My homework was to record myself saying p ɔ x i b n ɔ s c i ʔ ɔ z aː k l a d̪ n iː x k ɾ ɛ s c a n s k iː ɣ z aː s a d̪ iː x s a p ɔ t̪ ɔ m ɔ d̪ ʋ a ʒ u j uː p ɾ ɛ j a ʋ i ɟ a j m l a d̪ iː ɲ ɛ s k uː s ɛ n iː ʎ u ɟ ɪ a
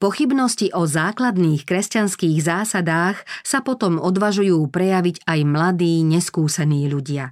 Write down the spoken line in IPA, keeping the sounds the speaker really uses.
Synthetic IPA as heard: p ɔ x i b n ɔ s c i ʔ ɔ z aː k l a d̪ n iː x k ɾ ɛ s c a n s k iː ɣ z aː s a d̪ aː x s a p ɔ t̪ ɔ m ɔ d̪ ʋ a ʒ u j uː p ɾ ɛ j a ʋ i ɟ a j m l a d̪ iː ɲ ɛ s k uː s ɛ n iː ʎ u ɟ ɪ a